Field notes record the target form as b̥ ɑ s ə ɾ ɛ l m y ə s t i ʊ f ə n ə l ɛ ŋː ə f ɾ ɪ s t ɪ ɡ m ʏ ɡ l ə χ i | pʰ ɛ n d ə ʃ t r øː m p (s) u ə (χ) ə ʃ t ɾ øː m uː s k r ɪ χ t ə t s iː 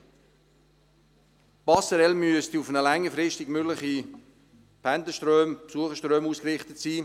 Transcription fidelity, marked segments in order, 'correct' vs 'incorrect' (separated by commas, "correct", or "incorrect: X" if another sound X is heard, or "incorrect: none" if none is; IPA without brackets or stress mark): correct, correct